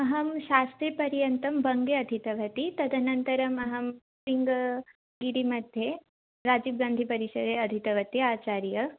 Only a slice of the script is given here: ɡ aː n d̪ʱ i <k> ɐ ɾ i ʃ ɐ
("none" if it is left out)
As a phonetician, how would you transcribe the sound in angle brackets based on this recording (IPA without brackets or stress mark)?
p